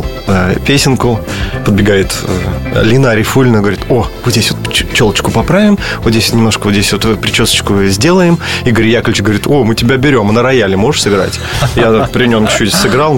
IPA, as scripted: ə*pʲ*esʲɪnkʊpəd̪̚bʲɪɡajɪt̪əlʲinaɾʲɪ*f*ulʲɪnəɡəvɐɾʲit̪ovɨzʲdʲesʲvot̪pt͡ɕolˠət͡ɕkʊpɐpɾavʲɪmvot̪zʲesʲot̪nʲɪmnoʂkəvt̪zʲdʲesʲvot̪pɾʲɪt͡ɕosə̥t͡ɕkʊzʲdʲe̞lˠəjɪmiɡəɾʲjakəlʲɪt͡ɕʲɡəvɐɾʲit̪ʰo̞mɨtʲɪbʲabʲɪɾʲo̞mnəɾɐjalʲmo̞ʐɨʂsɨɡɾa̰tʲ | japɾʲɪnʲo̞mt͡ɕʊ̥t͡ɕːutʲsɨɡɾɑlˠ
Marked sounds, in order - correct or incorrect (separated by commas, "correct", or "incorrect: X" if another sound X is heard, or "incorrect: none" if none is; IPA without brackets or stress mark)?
correct, correct